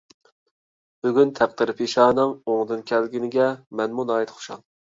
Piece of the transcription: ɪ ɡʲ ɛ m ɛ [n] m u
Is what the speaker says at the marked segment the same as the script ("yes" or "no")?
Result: yes